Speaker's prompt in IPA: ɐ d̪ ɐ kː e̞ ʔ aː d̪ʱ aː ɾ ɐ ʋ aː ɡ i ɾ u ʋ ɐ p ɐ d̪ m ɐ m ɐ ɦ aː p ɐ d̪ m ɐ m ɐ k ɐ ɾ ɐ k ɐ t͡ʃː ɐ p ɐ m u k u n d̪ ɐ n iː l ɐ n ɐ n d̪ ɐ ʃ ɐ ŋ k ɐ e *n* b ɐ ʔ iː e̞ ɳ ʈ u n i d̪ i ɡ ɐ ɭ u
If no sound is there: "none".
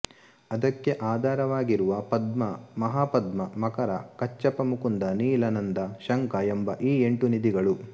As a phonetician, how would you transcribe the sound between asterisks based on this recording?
m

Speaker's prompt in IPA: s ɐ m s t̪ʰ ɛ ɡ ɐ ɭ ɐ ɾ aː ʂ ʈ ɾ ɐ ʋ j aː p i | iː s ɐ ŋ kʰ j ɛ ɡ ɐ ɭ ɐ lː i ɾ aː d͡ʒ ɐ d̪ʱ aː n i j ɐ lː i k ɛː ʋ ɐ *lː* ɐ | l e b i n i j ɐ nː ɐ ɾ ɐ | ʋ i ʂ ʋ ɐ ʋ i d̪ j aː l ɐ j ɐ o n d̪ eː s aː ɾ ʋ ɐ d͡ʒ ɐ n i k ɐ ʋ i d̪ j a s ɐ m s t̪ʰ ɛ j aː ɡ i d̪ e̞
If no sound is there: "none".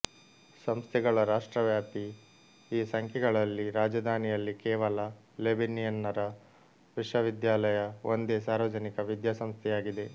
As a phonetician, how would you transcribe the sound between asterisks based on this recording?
l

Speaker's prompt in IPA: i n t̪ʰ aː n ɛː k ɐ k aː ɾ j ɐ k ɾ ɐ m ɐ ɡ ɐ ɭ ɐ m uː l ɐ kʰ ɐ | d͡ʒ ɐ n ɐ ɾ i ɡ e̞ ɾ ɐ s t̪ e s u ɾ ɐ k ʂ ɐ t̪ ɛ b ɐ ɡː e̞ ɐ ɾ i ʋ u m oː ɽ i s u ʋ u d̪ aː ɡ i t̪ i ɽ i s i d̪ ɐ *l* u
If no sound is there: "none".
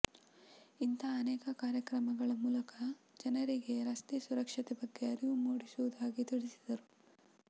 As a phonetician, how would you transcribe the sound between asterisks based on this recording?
ɾ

